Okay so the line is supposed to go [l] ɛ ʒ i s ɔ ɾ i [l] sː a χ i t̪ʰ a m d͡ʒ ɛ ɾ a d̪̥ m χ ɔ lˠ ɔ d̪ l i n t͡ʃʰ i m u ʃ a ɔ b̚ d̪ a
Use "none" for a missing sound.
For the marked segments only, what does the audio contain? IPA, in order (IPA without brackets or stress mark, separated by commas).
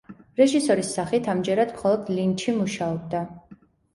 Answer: ɾ, none